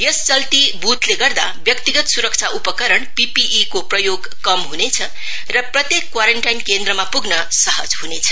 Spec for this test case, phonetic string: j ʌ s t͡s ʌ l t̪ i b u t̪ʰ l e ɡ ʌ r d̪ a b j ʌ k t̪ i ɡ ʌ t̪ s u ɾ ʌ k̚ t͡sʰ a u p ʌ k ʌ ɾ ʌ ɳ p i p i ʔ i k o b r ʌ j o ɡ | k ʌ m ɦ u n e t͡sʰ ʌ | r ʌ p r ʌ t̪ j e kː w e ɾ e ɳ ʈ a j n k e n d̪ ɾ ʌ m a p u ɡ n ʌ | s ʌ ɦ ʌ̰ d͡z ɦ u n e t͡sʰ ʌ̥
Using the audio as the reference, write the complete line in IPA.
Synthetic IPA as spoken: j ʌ s t͡s ʌ l t̪ i b u t̪ l e ɡ ʌ r d̪ a b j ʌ k t̪ i ɡ ʌ t̪ s u ɾ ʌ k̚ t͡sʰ a u p ʌ k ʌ ɾ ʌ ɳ p i p i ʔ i k o p r ʌ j o ɡ | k ʌ m ɦ u n e t͡sʰ ʌ | r ʌ p r ʌ t̪ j e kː w a ɾ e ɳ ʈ a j n k e n d̪ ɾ ʌ m a p u ɡ n ʌ | s ʌ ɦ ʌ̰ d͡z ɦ u n e t͡sʰ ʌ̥

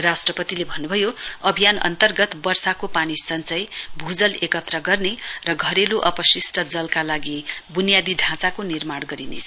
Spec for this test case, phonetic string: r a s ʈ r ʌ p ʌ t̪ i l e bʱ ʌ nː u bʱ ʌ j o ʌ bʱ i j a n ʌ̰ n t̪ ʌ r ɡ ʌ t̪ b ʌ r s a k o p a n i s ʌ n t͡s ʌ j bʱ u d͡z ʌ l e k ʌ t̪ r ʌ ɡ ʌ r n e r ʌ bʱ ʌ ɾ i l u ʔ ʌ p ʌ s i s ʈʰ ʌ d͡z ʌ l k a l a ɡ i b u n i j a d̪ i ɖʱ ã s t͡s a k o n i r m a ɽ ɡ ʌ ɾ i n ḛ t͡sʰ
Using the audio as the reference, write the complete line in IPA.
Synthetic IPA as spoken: r a s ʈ r ʌ p ʌ t̪ i l e bʱ ʌ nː u bʱ ʌ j o ʌ bʱ i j a n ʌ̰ n t̪ ʌ r ɡ ʌ t̪ b ʌ r s a k o p a n i s ʌ n t͡s ʌ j bʱ u d͡z ʌ l e k ʌ t̪ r ʌ ɡ ʌ r n e r ʌ ɡʱ ʌ ɾ e l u ʔ ʌ p ʌ s i s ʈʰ ʌ d͡z ʌ l k a l a ɡ i b u n i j a d̪ i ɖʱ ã t͡s a k o n i r m a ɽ ɡ ʌ ɾ i n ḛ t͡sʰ

